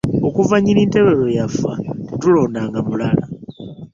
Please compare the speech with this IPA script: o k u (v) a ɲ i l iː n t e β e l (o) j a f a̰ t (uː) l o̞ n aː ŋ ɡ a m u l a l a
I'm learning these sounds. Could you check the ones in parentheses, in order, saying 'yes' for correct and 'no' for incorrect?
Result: yes, yes, no

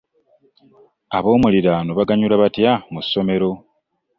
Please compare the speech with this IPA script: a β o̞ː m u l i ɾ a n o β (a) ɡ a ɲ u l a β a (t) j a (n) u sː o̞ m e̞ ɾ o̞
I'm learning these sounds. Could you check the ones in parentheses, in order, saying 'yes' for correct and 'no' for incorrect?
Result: yes, yes, no

